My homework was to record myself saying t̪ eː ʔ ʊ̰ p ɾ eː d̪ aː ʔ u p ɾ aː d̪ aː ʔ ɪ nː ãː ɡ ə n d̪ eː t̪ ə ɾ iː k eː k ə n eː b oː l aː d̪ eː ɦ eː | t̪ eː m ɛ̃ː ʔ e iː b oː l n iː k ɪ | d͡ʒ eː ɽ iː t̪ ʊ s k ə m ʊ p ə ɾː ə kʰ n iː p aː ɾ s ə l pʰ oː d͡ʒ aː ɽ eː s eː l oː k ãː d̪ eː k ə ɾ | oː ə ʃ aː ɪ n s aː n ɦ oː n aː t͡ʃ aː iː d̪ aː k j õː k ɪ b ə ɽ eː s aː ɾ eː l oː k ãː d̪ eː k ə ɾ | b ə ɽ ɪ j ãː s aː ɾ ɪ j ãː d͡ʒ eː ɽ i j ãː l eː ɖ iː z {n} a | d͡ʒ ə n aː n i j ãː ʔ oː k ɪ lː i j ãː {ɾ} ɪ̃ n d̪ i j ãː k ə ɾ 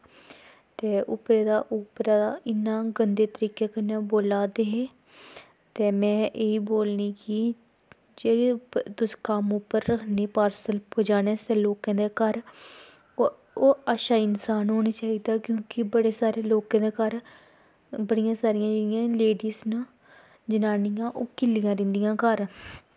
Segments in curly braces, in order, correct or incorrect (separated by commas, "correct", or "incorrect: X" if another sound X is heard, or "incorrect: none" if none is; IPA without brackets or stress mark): correct, correct